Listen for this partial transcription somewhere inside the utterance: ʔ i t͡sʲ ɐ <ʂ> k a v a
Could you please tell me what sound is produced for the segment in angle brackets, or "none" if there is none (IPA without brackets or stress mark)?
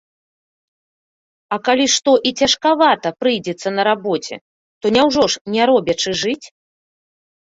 ʂ